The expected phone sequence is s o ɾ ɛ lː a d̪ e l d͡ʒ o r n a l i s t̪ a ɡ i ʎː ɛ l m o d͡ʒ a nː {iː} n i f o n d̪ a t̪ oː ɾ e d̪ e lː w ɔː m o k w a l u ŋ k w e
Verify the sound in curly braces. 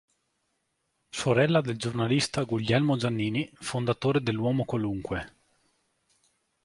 correct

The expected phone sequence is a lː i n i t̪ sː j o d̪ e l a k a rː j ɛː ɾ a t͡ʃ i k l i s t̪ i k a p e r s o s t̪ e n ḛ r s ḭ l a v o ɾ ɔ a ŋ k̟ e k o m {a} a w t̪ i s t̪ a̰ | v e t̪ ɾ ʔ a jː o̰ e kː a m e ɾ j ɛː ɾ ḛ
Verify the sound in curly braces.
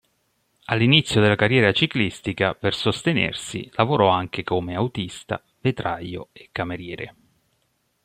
incorrect: e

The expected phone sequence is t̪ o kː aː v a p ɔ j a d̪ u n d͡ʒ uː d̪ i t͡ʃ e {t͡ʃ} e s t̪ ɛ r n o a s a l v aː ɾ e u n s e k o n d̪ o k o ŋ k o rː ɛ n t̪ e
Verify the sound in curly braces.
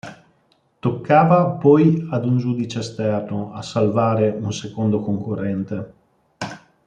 incorrect: none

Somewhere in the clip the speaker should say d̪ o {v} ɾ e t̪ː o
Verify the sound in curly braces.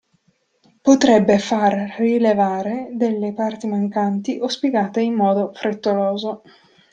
incorrect: f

